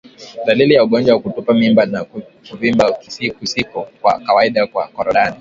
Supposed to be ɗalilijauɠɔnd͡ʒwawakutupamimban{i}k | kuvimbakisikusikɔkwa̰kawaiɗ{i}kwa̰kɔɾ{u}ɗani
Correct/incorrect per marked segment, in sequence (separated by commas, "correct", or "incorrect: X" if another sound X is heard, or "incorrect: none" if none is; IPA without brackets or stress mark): incorrect: a, incorrect: a, incorrect: ɔ